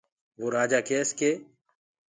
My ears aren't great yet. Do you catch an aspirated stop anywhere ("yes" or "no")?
no